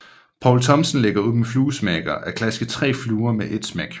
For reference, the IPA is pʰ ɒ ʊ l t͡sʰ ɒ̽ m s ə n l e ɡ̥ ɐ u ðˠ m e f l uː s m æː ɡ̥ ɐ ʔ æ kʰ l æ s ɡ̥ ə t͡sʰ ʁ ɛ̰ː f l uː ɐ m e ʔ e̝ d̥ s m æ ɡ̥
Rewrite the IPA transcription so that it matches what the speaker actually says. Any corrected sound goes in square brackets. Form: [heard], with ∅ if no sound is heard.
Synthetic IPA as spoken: pʰ ɒ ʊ l t͡sʰ ɒ̽ m s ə n l e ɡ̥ ɐ u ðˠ m e f l uː s m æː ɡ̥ ɐ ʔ æ kʰ l æ s ɡ̥ ə t͡sʰ ʁ ɛ̰ː f l uː ɐ m e ʔ e̝ d̥ s m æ ɡ̥